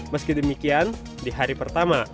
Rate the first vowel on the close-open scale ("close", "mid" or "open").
mid